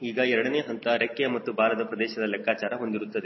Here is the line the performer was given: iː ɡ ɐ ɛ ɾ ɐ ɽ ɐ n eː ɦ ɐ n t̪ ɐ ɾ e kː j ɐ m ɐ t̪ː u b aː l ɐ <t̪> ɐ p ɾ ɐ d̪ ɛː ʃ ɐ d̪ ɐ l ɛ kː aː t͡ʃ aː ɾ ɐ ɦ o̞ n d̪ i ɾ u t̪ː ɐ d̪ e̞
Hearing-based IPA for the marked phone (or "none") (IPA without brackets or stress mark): d̪